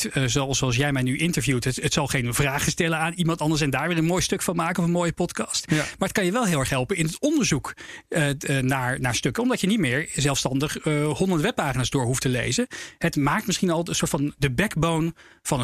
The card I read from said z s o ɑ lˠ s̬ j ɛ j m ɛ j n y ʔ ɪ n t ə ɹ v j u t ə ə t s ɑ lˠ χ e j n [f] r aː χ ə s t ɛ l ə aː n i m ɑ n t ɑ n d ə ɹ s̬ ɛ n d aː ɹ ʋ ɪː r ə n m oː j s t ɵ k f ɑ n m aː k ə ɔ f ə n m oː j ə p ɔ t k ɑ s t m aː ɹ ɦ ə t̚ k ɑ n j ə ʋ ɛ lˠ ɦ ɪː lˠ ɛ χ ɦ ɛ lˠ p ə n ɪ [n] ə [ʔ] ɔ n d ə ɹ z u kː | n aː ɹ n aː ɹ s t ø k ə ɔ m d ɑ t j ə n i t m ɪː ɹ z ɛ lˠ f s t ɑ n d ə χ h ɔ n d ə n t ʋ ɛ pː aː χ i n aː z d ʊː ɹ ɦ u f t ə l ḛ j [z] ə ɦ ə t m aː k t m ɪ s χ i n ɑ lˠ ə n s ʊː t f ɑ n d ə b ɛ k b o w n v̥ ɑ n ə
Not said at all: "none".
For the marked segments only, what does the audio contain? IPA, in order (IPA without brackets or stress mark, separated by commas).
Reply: v, n, t, z